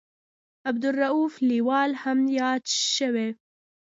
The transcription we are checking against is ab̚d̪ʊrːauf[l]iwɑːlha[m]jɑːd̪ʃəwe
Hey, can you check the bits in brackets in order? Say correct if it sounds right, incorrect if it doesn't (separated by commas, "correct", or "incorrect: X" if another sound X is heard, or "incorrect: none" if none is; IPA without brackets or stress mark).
correct, correct